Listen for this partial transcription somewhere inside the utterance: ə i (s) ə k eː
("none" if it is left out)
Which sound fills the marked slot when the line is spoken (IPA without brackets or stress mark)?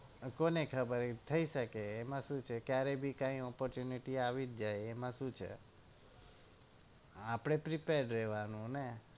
ʃ